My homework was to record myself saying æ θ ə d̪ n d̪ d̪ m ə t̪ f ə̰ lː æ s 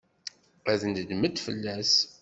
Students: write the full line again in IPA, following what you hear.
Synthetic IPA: æ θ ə n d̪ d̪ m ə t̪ f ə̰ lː æ s